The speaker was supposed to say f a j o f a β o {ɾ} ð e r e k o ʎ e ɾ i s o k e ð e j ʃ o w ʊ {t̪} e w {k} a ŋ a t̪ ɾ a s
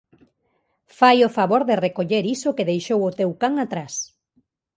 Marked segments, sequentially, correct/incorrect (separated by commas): correct, correct, correct